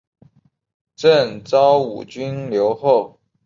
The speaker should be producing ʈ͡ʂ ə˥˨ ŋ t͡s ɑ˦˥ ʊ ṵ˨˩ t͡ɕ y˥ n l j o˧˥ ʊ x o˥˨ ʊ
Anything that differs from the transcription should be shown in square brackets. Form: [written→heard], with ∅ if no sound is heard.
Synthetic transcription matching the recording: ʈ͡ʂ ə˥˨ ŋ t͡s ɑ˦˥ ʊ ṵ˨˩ t͡ɕ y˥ n l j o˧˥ ʊ x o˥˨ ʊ

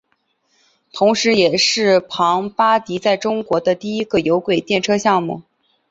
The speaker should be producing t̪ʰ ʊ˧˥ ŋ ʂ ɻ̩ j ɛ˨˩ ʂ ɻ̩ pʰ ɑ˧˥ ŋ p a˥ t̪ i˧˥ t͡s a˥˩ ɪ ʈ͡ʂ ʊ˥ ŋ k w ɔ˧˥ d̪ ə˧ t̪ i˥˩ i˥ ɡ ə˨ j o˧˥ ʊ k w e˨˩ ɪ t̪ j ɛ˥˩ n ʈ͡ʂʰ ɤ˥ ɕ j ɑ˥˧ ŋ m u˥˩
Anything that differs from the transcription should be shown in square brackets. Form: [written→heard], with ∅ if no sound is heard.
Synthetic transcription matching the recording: t̪ʰ ʊ˧˥ ŋ ʂ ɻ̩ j ɛ˨˩ ʂ ɻ̩ pʰ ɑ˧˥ ŋ p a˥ t̪ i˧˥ t͡s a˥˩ ɪ ʈ͡ʂ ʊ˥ ŋ k w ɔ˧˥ d̪ ə˧ t̪ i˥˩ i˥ ɡ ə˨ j o˧˥ ʊ k w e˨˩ ɪ t̪ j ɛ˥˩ n ʈ͡ʂʰ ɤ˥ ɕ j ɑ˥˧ ŋ m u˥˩

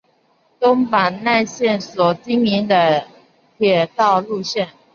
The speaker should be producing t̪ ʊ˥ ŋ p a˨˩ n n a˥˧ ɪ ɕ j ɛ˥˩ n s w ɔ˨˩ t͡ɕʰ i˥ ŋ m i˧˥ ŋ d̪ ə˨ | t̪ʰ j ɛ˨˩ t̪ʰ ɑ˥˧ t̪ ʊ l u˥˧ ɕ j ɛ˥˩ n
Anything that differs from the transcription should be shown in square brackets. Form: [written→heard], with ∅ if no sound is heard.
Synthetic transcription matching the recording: t̪ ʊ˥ ŋ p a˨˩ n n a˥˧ ɪ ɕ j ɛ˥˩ n s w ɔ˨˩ [t͡ɕʰ→t͡ɕ] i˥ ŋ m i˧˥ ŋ d̪ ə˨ | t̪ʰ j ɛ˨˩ [t̪ʰ→t̪] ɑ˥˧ [t̪→∅] ʊ l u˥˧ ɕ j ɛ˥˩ n

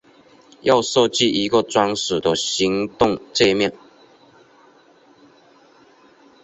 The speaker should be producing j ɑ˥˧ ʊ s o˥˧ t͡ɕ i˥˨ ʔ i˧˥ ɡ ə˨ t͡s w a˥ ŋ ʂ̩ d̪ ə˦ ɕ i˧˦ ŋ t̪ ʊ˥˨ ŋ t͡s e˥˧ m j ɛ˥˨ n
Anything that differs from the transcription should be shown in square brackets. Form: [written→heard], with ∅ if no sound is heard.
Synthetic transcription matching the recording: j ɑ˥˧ ʊ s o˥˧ t͡ɕ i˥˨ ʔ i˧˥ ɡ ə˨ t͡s w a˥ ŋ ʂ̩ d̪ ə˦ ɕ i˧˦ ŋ t̪ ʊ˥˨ ŋ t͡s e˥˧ m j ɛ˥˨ n

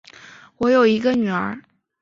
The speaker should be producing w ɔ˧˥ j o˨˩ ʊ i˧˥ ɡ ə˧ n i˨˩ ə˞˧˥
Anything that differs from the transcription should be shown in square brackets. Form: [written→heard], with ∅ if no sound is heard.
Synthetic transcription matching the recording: w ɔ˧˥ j o˨˩ ʊ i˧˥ ɡ ə˧ n [i˨˩→y˨˩] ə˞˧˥

